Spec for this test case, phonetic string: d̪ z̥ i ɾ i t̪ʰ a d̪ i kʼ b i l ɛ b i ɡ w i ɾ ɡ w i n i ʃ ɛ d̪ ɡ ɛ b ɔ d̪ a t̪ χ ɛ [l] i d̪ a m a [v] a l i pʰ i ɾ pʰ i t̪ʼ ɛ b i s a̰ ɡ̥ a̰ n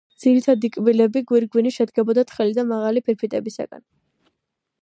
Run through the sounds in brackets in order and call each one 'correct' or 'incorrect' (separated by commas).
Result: correct, incorrect